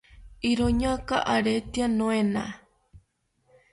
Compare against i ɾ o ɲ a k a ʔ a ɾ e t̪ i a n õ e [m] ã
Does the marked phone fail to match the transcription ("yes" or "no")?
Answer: yes